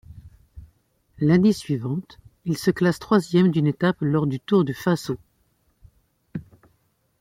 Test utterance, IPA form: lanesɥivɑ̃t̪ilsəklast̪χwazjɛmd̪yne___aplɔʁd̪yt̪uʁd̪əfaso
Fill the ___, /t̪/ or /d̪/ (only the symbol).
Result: t̪